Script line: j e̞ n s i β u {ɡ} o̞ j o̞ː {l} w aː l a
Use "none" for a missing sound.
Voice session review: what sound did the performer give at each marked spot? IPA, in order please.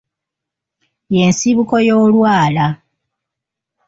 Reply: k, l

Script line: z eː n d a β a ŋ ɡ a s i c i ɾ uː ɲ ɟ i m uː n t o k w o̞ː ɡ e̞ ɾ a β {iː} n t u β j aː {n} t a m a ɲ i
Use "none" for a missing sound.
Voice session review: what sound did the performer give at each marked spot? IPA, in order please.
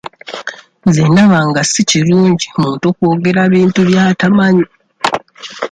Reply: iː, none

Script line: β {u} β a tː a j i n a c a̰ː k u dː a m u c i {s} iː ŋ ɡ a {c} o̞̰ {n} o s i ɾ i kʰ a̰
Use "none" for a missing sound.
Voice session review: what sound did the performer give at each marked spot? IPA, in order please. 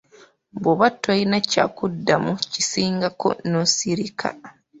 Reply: o, s, k, n

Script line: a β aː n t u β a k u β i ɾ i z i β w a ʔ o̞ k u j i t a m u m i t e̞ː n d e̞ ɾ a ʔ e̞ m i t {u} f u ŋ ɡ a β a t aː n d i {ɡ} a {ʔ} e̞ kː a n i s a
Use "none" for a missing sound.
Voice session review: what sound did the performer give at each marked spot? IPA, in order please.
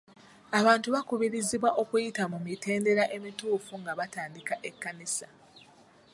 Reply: uː, k, ʔ

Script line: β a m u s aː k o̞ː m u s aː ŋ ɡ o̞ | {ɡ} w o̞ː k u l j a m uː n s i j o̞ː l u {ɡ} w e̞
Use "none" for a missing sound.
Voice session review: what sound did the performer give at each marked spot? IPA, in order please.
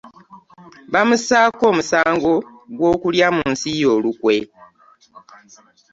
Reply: ɡ, k

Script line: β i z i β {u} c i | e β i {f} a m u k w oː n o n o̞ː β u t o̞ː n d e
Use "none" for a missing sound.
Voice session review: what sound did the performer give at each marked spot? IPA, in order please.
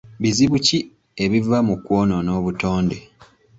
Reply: u, v

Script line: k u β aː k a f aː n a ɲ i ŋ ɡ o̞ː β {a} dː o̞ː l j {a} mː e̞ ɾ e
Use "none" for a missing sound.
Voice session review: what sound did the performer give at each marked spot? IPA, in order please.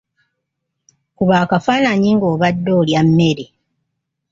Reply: a, a

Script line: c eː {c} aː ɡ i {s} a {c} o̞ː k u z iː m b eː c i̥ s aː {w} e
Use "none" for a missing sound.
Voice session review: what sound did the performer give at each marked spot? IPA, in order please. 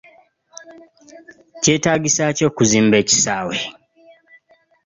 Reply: t, s, c, w

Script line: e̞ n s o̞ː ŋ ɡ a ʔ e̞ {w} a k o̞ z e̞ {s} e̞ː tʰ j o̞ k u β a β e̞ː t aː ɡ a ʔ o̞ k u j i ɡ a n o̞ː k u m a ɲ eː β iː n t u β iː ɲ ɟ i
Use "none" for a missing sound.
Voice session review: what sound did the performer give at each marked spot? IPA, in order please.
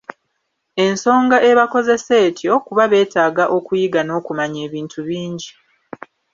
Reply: β, s

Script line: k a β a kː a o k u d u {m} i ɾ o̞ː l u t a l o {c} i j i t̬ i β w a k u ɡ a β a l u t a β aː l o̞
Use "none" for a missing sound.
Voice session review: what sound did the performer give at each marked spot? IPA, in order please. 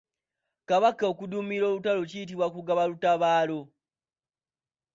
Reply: m, c

